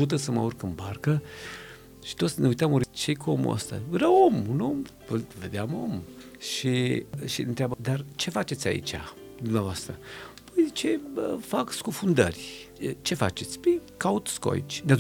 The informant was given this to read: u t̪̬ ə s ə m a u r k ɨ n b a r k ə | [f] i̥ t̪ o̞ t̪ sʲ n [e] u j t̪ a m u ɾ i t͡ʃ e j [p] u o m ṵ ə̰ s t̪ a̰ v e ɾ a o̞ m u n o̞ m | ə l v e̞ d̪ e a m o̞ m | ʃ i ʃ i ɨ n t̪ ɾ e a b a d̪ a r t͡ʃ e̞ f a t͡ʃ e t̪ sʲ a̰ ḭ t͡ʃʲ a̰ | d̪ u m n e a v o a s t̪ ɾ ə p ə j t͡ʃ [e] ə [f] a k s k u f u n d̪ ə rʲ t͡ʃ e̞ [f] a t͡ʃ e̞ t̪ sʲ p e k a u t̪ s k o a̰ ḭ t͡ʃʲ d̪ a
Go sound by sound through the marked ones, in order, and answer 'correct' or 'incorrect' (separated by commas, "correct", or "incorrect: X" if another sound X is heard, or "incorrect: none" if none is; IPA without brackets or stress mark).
incorrect: ʃ, correct, incorrect: k, correct, correct, correct